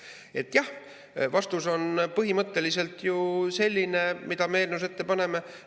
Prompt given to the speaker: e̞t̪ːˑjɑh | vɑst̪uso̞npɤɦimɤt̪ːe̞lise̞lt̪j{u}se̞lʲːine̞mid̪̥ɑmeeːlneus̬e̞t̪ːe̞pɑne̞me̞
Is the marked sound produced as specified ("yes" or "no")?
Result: yes